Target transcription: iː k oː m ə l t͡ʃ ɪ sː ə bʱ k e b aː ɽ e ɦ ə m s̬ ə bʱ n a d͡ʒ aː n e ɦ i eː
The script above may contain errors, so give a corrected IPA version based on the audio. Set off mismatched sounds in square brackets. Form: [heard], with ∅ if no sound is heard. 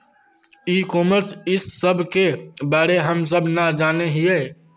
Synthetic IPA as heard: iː k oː m ə [ɾ] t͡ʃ ɪ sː ə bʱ k e b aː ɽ e ɦ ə m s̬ ə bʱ n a d͡ʒ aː n e ɦ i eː